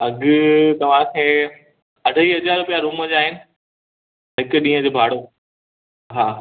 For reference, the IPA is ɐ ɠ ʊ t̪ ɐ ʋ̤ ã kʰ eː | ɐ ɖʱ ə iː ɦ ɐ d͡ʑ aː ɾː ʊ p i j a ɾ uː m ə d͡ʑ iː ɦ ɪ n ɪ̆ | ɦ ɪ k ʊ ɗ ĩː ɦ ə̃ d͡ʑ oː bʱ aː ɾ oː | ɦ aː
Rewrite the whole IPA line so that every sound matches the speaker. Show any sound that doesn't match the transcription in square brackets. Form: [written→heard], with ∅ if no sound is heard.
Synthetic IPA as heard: ɐ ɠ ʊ t̪ ɐ ʋ̤ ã kʰ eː | ɐ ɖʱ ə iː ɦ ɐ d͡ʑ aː [ɾː→ɾ] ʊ p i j a ɾ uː m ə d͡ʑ [iː→aː] ɦ ɪ n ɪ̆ | ɦ ɪ k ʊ ɗ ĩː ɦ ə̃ d͡ʑ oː bʱ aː [ɾ→ɽ] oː | ɦ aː